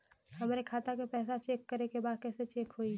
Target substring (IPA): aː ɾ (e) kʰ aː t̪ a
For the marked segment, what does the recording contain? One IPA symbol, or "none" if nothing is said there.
e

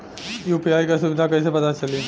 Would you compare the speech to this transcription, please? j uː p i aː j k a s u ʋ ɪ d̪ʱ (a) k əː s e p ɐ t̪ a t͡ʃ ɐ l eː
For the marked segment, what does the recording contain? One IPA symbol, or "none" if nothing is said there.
a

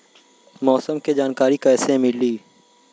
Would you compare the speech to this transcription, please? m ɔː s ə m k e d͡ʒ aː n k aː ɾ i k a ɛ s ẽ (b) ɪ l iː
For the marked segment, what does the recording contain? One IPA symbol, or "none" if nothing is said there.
m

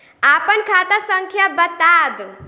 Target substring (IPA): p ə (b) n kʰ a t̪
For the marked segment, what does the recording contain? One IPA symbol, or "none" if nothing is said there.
none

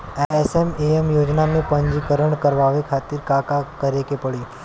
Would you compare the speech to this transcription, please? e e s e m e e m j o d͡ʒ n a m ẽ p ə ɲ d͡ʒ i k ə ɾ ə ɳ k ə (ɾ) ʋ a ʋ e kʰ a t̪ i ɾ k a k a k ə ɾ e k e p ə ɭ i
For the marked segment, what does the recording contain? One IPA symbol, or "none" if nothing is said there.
ɾ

